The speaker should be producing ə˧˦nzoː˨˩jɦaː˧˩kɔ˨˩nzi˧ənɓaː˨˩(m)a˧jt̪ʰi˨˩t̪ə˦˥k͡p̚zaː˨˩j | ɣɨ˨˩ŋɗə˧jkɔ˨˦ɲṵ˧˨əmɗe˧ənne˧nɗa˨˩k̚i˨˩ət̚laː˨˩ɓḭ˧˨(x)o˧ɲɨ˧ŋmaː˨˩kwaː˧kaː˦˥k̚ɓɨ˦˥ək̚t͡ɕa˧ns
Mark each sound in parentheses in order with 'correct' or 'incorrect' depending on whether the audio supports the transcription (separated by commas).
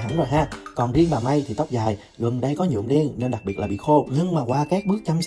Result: correct, correct